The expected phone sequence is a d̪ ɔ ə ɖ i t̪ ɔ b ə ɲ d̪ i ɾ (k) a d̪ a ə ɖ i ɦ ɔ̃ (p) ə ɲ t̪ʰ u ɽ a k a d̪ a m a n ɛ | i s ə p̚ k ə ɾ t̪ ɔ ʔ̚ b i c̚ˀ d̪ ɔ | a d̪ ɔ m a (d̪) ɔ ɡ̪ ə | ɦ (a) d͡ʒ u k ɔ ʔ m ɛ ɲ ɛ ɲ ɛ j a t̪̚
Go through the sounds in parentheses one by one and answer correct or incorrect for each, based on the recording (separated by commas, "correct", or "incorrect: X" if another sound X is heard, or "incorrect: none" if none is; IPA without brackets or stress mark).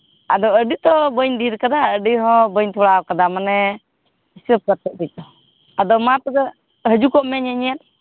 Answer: correct, incorrect: b, incorrect: t̪, incorrect: ə